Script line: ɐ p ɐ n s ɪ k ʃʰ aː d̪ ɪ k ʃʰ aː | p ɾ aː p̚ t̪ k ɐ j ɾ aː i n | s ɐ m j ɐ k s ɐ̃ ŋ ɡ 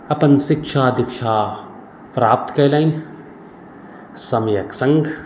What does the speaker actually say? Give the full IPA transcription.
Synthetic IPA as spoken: ɐ p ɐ n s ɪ k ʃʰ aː d̪ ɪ k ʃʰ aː | p ɾ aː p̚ t̪ k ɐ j l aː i n | s ɐ m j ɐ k s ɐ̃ ŋ ɡ

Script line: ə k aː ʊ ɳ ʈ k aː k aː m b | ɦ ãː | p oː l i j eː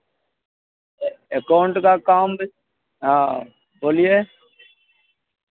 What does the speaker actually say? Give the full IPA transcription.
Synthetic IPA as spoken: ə k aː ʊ ɳ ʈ k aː k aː m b | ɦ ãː | b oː l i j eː

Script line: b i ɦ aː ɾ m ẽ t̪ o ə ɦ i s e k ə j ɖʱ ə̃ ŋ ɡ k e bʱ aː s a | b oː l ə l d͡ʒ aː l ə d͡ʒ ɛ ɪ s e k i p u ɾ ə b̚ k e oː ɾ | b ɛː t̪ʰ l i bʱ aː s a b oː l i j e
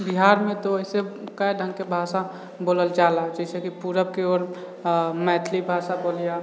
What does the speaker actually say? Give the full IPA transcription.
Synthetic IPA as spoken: b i ɦ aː ɾ m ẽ t̪ o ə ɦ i s e k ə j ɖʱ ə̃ ŋ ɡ k e bʱ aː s a | b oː l ə l d͡ʒ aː l a d͡ʒ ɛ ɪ s e k i p u ɾ ə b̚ k e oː ɾ | m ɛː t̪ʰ l i bʱ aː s a b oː l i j a

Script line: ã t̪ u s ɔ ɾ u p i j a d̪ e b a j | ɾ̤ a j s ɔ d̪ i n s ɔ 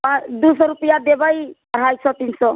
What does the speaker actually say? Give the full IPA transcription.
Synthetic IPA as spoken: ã d̪ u s ɔ ɾ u p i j a d̪ e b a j | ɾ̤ a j s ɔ t̪ i n s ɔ

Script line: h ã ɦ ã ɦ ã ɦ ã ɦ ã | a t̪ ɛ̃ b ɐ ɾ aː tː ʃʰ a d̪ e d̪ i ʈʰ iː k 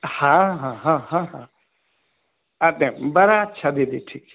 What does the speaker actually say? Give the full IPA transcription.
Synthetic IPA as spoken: h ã ɦ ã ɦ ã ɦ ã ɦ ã | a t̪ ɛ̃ b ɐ ɾ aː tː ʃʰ a d̪ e d̪ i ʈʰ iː k

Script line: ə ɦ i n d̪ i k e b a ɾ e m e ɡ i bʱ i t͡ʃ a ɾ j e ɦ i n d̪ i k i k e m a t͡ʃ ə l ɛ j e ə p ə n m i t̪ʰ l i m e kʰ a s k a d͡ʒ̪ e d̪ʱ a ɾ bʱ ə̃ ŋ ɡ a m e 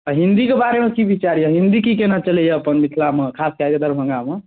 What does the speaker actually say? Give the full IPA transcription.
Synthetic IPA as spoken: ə ɦ i n d̪ i k e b a ɾ e m e k i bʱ i t͡ʃ a ɾ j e ɦ i n d̪ i k i k e n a t͡ʃ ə l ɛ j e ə p ə n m i t̪ʰ l a m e kʰ a s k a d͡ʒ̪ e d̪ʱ ə ɾ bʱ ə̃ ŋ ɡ a m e

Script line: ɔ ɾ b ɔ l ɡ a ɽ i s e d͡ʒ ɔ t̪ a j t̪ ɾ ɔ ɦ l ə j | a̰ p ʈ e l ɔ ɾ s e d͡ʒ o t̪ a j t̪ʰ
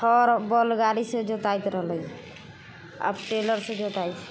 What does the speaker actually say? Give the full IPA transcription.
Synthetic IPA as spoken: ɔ ɾ b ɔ l ɡ a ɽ i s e d͡ʒ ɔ t̪ a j t̪ ɾ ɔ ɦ l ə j | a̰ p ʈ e l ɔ ɾ s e d͡ʒ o t̪ a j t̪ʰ

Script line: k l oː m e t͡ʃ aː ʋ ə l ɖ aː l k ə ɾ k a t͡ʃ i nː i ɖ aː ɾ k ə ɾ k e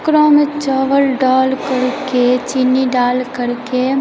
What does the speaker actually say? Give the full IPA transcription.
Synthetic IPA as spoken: k ɾ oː m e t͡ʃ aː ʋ ə l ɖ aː l k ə ɾ k e t͡ʃ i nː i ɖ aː l k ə ɾ k e

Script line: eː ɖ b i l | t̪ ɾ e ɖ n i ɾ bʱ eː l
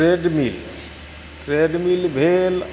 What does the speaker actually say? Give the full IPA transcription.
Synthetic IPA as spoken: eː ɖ m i l | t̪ ɾ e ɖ m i l bʱ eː l

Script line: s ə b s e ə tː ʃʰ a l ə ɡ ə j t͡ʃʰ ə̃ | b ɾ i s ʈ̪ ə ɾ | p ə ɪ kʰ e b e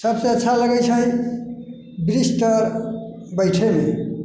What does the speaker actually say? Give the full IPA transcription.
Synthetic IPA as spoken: s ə b s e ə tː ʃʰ a l ə ɡ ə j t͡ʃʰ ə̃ | b ɾ i s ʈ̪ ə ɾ | b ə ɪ ʈʰ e m e

